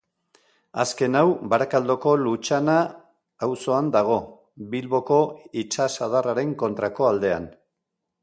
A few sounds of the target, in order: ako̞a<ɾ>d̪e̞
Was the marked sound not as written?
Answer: yes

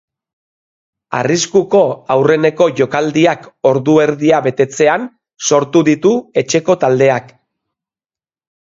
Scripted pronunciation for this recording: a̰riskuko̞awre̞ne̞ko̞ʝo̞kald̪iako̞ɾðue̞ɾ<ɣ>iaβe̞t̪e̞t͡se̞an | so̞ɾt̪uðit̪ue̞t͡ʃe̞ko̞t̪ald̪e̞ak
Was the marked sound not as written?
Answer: yes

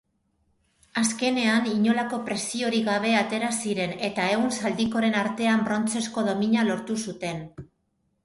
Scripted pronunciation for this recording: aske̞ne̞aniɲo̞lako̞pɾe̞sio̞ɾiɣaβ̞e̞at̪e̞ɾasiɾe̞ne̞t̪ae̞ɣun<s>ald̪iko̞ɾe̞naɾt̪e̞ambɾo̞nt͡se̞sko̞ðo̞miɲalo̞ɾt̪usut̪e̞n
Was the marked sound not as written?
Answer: no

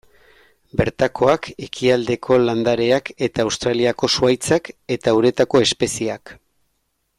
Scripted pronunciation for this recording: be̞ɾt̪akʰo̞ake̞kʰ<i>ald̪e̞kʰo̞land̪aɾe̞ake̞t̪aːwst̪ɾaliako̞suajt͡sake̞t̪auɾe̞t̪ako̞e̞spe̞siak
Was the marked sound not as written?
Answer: no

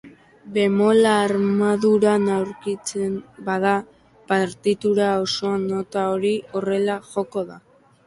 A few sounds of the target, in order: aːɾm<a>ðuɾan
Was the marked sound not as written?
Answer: no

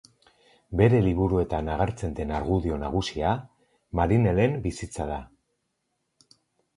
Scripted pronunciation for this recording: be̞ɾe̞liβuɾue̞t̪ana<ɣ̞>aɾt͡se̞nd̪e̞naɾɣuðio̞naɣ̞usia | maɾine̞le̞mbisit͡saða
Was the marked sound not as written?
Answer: no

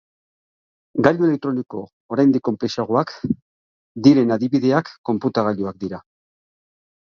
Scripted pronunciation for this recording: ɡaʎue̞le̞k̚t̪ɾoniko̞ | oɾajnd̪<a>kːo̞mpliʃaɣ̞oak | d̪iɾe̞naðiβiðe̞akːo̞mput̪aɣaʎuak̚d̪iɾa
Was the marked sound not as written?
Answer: yes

